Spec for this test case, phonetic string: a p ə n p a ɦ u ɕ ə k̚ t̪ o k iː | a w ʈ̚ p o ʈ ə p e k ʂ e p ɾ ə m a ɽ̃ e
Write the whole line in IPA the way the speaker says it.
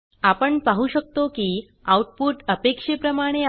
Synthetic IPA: a p ə ɳ p a ɦ u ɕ ə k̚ t̪ o k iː | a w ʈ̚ p u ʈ ə p e k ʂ e p ɾ ə m a ɽ̃ e